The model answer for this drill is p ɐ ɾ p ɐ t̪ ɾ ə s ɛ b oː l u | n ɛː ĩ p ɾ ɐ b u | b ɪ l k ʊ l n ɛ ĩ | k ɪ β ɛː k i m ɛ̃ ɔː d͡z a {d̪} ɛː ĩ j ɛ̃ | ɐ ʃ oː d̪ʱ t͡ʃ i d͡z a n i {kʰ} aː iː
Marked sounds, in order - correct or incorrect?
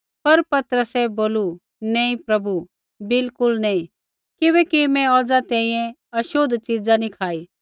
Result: incorrect: t̪, correct

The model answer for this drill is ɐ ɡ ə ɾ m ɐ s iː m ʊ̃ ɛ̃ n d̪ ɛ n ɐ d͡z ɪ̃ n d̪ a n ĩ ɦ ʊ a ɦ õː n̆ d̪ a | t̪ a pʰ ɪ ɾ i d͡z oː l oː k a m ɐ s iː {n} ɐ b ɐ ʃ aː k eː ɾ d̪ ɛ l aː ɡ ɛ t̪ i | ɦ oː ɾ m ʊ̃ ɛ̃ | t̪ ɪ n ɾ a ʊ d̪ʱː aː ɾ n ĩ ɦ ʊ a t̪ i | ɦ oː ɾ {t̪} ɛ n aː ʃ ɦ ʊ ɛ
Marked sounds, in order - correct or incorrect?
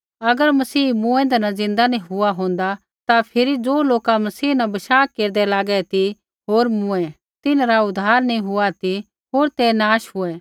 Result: correct, correct

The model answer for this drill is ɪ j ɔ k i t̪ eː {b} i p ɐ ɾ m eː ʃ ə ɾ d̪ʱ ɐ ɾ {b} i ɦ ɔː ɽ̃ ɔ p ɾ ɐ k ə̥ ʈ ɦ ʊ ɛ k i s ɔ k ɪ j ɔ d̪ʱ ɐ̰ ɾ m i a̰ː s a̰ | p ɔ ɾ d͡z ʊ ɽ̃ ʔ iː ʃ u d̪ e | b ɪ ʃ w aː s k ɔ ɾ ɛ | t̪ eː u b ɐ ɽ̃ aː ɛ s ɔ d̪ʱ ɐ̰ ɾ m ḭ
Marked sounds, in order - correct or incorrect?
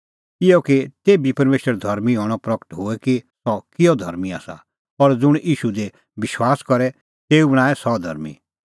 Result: correct, incorrect: m

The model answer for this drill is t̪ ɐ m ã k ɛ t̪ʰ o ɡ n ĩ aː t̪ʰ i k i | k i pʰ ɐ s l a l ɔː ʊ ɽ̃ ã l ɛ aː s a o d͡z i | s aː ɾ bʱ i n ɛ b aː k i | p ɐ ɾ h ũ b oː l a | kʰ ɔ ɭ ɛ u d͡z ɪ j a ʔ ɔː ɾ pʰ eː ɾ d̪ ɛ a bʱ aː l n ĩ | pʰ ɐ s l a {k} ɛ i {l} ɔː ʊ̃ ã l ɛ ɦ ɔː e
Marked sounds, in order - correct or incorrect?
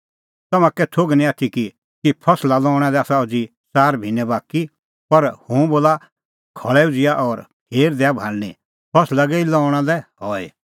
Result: incorrect: ɡ, correct

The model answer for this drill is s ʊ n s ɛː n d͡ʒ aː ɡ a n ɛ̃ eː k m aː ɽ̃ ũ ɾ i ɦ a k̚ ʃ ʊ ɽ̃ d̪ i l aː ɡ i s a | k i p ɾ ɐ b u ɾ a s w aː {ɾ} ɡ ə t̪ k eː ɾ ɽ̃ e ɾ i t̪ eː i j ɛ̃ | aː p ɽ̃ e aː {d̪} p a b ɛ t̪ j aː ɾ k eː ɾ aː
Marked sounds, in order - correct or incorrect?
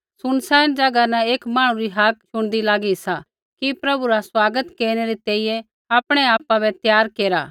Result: incorrect: none, incorrect: none

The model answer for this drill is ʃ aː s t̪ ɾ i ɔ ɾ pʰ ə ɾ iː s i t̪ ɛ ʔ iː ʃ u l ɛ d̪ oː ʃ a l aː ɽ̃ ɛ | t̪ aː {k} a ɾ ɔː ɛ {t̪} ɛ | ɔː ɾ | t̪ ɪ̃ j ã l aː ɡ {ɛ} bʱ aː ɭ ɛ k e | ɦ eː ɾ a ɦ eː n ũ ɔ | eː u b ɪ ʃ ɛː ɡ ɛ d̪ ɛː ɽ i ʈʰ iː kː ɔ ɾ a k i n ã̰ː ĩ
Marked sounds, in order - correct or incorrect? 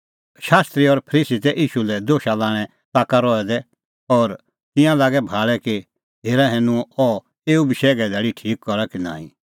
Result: correct, incorrect: d̪, correct

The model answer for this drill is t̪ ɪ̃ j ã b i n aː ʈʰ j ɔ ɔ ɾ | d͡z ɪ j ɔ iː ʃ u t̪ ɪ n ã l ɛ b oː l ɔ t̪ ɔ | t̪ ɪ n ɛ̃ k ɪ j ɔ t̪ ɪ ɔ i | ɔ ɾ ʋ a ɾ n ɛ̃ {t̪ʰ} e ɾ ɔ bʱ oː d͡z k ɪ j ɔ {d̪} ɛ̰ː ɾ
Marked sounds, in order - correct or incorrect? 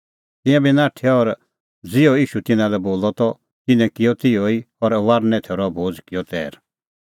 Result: correct, incorrect: t̪

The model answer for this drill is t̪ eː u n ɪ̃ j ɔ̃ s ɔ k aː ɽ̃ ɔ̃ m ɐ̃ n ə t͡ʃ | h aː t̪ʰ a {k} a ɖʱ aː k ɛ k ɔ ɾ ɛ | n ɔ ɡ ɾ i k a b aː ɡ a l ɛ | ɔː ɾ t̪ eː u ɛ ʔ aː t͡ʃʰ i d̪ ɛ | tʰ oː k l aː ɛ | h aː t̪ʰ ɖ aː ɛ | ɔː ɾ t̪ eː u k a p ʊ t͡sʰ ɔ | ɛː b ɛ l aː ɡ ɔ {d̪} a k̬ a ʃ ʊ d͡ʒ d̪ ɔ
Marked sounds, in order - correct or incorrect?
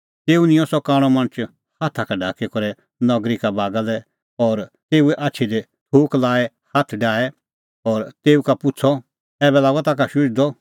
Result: correct, incorrect: t̪

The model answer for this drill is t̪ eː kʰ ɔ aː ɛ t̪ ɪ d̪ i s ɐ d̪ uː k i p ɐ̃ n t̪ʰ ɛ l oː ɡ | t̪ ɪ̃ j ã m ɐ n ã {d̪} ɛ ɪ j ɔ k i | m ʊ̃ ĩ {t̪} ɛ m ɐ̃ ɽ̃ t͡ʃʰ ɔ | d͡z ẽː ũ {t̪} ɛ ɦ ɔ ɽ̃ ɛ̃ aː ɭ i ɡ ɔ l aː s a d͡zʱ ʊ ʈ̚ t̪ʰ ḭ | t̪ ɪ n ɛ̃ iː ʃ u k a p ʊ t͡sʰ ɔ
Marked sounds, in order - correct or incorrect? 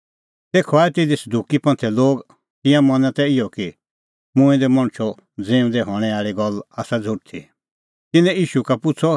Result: incorrect: t̪, incorrect: d̪, incorrect: d̪

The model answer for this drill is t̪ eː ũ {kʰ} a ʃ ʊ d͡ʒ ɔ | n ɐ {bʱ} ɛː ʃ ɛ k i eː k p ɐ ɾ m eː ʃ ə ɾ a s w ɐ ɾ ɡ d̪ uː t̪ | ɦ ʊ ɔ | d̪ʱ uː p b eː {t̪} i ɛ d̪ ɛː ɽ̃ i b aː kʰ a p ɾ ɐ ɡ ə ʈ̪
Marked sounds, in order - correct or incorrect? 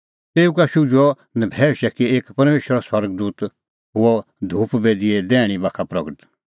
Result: incorrect: k, correct, incorrect: d̪

